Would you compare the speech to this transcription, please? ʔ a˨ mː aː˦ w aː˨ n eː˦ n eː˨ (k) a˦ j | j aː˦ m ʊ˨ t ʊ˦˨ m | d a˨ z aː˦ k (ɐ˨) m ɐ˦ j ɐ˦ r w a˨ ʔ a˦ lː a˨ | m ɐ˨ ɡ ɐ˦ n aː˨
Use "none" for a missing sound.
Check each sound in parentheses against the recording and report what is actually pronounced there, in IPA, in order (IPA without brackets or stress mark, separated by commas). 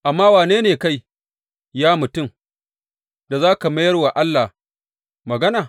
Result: k, a˨